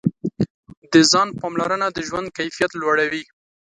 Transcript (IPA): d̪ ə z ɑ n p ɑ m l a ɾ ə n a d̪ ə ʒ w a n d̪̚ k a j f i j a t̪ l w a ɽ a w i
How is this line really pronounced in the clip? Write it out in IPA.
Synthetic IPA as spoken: d̪ ə z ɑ n p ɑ m l a ɾ ə n a d̪ ə ʒ w a n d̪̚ k a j f i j a t̪ l w a ɽ a w i